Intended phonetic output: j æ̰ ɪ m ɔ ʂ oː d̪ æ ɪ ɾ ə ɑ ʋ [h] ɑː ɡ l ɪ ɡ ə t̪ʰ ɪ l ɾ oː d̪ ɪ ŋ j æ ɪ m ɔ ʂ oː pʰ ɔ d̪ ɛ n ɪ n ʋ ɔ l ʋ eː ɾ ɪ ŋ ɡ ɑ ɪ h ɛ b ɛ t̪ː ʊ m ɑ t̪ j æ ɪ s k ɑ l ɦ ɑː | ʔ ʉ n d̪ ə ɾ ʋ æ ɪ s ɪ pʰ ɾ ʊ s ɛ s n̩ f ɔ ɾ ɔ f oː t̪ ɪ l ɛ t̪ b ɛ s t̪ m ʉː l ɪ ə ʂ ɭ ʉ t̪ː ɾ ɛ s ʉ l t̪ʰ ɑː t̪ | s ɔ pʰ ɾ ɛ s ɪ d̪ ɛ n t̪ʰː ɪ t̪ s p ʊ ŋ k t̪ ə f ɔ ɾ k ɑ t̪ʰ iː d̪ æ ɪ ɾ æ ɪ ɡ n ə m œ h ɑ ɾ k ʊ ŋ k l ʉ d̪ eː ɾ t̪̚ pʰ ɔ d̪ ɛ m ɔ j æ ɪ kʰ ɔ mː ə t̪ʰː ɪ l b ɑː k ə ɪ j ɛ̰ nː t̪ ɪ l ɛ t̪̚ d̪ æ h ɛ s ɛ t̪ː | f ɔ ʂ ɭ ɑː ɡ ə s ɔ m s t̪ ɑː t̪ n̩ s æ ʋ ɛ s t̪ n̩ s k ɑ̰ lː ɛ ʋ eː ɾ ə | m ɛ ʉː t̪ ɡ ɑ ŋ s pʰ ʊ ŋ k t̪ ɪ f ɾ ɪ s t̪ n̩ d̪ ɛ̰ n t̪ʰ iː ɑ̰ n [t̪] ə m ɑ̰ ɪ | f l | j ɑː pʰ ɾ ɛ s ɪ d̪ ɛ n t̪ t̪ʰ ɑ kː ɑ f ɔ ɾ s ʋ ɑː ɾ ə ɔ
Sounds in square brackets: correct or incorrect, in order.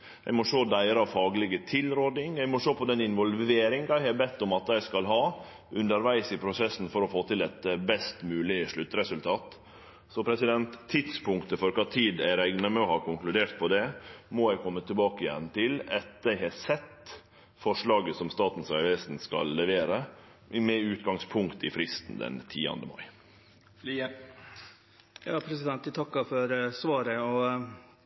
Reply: incorrect: f, incorrect: d̪

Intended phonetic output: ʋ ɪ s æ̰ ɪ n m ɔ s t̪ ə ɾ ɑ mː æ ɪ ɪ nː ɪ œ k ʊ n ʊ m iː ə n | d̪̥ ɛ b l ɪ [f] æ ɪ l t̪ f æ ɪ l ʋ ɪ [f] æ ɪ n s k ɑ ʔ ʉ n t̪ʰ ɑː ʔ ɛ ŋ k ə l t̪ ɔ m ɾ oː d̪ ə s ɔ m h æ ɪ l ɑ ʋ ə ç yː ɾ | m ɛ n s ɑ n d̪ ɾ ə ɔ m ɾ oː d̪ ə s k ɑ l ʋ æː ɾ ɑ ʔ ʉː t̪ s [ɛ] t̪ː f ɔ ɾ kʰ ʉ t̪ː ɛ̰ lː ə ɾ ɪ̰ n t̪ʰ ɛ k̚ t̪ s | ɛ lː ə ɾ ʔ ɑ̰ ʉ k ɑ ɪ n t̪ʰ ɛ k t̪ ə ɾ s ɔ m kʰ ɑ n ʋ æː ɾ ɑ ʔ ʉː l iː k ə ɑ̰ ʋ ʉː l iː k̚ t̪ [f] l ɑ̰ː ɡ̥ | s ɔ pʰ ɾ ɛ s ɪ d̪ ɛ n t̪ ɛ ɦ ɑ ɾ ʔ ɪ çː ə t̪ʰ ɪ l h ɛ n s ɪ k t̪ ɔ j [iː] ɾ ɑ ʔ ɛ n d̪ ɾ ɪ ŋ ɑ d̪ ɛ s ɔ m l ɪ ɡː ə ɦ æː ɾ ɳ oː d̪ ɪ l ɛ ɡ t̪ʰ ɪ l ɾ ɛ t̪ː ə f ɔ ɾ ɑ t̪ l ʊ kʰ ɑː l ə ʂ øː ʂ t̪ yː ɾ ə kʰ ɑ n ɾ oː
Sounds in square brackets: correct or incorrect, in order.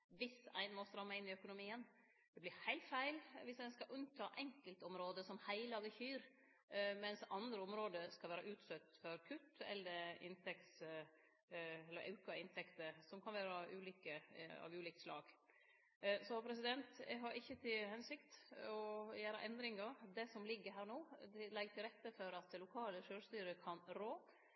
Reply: incorrect: h, incorrect: s, incorrect: œ, incorrect: s, incorrect: æː

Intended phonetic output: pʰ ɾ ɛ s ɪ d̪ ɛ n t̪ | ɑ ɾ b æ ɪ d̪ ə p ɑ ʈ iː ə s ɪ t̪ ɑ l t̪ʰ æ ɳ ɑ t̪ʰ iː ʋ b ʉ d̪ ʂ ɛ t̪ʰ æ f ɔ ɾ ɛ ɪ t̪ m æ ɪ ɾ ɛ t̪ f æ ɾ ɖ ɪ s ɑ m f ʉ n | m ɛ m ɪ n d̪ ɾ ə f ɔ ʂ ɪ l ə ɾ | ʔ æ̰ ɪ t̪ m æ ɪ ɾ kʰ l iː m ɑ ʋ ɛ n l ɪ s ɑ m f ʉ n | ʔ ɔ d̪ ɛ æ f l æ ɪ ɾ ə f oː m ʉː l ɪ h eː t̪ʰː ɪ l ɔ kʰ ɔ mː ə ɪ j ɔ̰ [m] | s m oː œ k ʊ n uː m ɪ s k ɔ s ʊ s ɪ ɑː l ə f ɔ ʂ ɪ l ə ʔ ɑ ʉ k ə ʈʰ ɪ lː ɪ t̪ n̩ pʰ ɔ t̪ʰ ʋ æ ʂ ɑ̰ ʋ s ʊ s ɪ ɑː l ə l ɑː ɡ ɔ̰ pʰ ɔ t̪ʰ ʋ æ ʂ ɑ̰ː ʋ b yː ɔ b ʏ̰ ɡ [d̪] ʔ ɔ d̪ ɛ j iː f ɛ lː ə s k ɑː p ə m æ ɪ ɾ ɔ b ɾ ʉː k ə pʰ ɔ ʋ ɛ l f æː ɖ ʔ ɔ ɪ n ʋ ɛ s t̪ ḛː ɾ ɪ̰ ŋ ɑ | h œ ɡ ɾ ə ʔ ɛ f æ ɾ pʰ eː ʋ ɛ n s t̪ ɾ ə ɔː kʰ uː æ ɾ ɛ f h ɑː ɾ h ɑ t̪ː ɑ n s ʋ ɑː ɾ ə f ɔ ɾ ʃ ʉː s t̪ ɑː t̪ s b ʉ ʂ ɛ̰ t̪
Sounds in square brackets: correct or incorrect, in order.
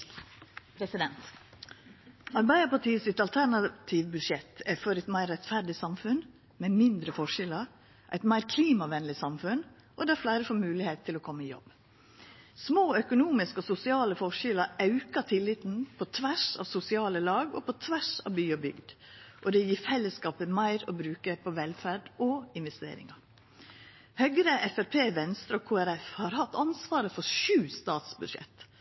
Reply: incorrect: b, correct

